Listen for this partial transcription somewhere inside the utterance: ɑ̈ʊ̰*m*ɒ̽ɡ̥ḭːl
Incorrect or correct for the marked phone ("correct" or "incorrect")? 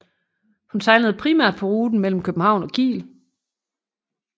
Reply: incorrect